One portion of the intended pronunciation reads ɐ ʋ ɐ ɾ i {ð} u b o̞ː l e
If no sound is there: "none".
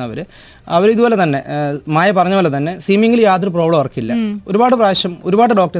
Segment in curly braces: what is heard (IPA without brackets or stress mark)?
ð